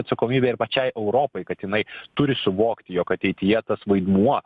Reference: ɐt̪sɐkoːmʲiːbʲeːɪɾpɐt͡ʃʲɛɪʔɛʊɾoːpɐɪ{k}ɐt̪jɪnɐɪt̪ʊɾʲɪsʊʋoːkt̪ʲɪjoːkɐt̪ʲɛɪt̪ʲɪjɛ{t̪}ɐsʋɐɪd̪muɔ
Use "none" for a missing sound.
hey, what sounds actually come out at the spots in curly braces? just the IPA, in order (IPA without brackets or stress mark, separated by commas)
k, t̪